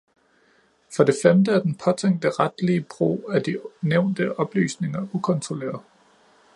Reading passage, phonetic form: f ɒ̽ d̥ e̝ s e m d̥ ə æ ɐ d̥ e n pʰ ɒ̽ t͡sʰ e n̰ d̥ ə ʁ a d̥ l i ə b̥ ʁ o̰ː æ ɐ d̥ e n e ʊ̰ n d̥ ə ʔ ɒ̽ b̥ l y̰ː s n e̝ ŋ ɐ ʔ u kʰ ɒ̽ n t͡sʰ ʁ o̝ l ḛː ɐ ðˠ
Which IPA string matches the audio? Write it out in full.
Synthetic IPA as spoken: f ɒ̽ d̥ e̝ f e m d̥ ə æ ɐ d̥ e n pʰ ɒ̽ t͡sʰ e ŋ̰ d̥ ə ʁ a d̥ l i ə b̥ ʁ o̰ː æ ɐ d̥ i n e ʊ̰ n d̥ ə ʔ ɒ̽ b̥ l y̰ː s n e̝ ŋ ɐ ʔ u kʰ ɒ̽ n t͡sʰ ʁ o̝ l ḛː ɐ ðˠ